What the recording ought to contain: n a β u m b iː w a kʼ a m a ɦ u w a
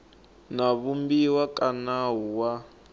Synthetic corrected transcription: n a β u m b i w a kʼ a n a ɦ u w a